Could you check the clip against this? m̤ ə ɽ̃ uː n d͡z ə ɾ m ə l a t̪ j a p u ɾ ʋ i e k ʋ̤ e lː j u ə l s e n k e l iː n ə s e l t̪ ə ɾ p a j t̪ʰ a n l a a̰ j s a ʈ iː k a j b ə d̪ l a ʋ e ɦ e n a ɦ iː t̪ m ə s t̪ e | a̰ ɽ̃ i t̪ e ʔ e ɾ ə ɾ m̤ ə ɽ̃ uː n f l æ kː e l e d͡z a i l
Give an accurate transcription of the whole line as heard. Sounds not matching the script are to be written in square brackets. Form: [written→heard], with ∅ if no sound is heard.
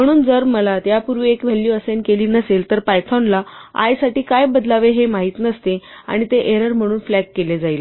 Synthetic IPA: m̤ ə ɽ̃ uː n d͡z ə ɾ m ə l a t̪ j a p u ɾ ʋ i e k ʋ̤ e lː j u ə [l→∅] s e n k e l iː n ə s e l t̪ ə ɾ p a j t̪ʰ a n l a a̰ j s a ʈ iː k a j b ə d̪ l a ʋ e ɦ e [n→m] a ɦ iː t̪ [m→n] ə s t̪ e | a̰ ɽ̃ i t̪ e ʔ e ɾ ə ɾ m̤ ə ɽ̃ uː n f l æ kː e l e d͡z a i l